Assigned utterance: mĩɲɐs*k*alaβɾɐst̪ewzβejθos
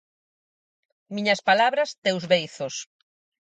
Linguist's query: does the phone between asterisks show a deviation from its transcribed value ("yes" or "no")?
yes